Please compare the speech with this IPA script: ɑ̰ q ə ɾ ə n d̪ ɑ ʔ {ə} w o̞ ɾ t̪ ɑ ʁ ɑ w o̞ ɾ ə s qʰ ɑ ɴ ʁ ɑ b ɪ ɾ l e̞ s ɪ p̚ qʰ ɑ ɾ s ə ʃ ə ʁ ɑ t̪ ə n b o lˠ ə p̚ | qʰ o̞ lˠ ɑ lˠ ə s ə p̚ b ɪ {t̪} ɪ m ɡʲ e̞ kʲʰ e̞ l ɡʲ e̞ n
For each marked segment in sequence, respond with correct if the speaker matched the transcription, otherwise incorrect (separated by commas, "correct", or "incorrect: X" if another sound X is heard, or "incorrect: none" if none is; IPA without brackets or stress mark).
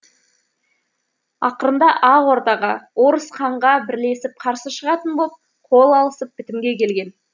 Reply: incorrect: ɑ, correct